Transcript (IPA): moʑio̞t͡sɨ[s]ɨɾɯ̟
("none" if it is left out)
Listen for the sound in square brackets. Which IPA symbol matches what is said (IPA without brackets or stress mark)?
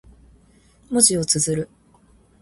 z